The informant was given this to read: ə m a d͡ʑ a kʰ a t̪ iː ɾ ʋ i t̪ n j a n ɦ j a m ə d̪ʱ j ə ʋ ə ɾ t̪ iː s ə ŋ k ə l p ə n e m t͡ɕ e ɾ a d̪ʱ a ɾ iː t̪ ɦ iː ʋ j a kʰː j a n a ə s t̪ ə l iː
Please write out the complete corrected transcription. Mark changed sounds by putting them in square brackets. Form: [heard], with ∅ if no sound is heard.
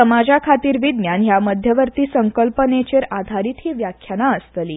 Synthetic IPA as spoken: ə m a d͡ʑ a kʰ a t̪ iː ɾ ʋ i [d̪] n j a n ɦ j a m ə d̪ʱ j ə ʋ ə ɾ t̪ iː s ə ŋ k ə l p ə n e [∅] t͡ɕ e ɾ a d̪ʱ a ɾ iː t̪ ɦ iː ʋ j a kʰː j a n a ə s t̪ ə l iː